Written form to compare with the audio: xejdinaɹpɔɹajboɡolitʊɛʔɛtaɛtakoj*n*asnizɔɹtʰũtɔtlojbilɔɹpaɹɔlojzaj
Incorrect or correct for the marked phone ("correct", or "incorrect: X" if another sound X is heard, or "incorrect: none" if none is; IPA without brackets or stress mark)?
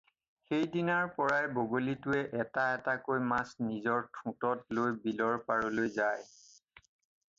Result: incorrect: m